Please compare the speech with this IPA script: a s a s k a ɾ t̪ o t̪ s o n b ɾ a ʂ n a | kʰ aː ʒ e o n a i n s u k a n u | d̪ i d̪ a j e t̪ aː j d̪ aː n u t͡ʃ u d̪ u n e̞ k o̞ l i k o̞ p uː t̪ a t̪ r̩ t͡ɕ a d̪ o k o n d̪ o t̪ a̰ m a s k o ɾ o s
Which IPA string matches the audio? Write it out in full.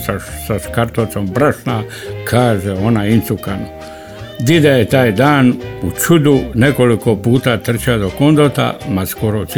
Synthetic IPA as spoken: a s a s k a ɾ t̪ o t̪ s o m b ɾ a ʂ n a | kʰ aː ʒ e o n a i n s u k a n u | d̪ i d̪ a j e t̪ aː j d̪ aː n u t͡ʃ u d̪ u n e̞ k o̞ l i k o̞ p uː t̪ a t̪ r̩ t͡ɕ a d̪ o k o n d̪ o t̪ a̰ m a s k o ɾ o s